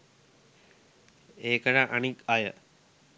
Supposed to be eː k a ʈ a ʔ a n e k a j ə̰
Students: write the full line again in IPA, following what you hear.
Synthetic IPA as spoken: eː k ə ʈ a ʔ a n i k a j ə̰